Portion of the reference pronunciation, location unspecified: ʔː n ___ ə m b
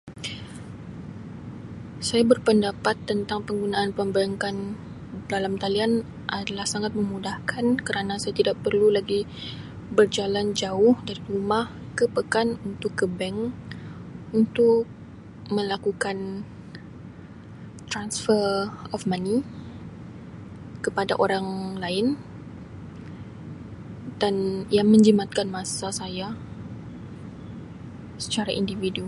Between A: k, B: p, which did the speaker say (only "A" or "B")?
B